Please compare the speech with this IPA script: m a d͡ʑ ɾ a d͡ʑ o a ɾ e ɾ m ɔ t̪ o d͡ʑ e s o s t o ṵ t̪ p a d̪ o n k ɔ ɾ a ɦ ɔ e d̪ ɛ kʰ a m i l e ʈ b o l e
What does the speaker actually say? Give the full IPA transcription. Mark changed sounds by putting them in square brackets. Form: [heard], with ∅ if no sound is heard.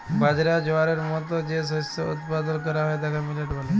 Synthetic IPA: [b] a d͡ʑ ɾ a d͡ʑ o a ɾ e ɾ m ɔ t̪ o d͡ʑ e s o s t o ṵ t̪ p a d̪ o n k ɔ ɾ a ɦ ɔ e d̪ ɛ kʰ a m i l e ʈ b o l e